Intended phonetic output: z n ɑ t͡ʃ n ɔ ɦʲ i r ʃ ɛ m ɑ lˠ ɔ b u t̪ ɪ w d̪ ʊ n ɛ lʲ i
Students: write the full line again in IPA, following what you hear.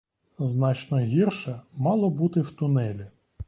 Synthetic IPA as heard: z n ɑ t͡ʃ n ɔ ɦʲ i r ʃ ɛ m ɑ lˠ ɔ b u t̪ ɪ w t̪ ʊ n ɛ lʲ i

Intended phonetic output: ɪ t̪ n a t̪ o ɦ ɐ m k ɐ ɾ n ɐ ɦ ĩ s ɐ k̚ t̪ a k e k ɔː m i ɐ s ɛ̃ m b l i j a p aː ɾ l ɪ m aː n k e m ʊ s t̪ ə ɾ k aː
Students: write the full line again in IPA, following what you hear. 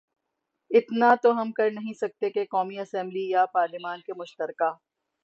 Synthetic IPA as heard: ɪ t̪ n a t̪ o ɦ ɐ m k ɐ ɾ n ɐ ɦ ĩ s ɐ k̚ t̪ e k e k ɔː m i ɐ s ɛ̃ m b l i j a p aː ɾ l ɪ m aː n k e m ʊ ʃ t̪ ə ɾ k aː

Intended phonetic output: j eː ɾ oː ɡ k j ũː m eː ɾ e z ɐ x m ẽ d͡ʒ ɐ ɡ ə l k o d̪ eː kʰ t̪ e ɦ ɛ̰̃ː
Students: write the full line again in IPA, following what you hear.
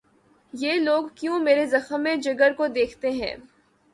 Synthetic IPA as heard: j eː l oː ɡ k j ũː m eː ɾ e z ɐ x m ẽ d͡ʒ ɐ ɡ ə ɾ k o d̪ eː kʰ t̪ e ɦ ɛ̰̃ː

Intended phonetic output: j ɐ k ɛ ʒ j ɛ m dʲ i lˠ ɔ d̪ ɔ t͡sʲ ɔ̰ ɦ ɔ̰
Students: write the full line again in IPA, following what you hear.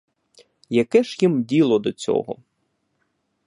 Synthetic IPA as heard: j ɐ k ɛ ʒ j i m dʲ i lˠ ɔ d̪ ɔ t͡sʲ ɔ̰ ɦ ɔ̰

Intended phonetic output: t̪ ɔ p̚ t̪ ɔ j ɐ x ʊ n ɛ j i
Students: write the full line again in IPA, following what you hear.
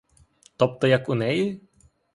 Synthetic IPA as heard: t̪ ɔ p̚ t̪ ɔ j ɐ k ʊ n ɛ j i

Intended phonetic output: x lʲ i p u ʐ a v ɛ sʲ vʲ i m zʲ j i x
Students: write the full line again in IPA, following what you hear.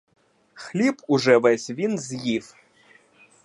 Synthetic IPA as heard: x lʲ i p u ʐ ɛ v ɛ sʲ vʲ i n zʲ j i f

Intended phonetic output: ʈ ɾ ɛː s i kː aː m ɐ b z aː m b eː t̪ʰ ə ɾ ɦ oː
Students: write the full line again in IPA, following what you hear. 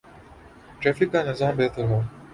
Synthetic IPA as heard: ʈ ɾ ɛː f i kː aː n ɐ z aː m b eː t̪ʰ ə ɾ ɦ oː

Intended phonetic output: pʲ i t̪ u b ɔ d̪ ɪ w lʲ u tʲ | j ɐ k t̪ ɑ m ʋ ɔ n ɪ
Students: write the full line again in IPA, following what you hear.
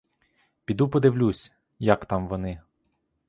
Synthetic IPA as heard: pʲ i d̪ u p ɔ d̪ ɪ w lʲ u sʲ | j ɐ k t̪ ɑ m ʋ ɔ n ɪ

